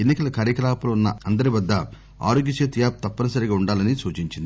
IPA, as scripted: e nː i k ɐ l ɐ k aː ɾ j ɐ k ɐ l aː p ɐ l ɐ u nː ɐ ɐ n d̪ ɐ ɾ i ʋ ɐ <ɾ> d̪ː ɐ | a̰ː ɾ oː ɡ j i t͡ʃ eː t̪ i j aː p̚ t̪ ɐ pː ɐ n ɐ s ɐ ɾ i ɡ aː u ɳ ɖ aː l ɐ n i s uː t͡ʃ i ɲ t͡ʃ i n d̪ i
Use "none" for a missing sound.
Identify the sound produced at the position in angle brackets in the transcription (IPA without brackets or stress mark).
none